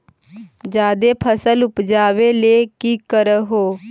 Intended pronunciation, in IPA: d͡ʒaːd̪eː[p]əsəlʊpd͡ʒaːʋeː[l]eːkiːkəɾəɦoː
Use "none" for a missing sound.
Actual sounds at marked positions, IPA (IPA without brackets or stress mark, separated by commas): pʰ, l